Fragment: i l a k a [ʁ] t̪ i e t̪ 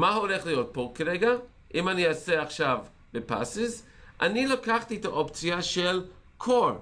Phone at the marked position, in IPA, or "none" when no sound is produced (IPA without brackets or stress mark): χ